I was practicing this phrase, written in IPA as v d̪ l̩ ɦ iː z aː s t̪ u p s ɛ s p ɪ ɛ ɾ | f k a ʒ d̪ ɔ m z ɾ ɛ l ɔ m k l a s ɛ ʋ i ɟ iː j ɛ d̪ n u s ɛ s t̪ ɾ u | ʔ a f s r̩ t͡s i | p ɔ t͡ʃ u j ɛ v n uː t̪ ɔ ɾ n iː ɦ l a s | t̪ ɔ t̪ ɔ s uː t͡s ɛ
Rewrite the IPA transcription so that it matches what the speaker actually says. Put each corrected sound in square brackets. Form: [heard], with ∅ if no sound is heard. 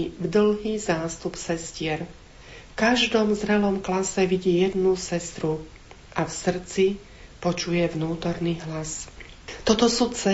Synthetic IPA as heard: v d̪ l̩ ɦ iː z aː s t̪ u p s ɛ s [c] ɪ ɛ ɾ | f k a ʒ d̪ ɔ m z ɾ ɛ l ɔ m k l a s ɛ ʋ i ɟ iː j ɛ d̪ n u s ɛ s t̪ ɾ u | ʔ a f s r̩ t͡s i | p ɔ t͡ʃ u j ɛ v n uː t̪ ɔ ɾ n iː ɦ l a s | t̪ ɔ t̪ ɔ s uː t͡s ɛ